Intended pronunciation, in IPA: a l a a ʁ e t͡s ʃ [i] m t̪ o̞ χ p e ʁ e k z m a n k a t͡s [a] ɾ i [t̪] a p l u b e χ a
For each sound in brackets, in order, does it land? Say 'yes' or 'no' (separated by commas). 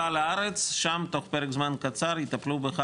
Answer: no, yes, yes